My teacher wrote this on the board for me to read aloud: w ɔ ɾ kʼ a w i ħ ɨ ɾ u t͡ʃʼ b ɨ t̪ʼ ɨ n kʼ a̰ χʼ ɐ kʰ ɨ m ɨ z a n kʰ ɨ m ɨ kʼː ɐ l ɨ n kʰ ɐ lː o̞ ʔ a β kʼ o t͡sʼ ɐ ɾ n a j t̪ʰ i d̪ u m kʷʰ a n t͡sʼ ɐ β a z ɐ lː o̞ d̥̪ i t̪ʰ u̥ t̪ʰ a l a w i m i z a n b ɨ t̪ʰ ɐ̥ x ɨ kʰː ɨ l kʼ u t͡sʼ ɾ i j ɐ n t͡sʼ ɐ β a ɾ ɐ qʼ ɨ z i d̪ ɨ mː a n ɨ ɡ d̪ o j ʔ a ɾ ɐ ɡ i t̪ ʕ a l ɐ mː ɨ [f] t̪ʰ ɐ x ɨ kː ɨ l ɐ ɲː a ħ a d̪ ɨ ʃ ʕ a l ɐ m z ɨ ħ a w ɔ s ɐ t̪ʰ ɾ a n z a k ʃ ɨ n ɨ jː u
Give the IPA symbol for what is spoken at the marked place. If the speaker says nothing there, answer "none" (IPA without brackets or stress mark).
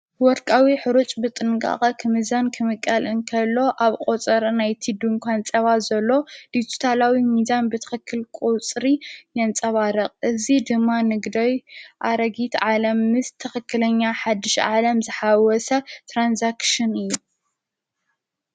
s